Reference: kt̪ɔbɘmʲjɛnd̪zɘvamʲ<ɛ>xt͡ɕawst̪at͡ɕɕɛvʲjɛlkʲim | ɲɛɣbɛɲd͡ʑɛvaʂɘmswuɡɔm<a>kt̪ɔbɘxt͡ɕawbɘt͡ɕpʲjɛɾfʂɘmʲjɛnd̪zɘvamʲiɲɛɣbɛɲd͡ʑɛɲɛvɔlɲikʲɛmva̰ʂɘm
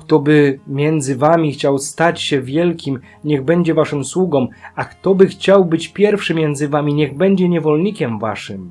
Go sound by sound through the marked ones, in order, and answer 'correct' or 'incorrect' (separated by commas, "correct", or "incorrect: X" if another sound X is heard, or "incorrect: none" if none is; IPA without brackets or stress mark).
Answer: incorrect: i, correct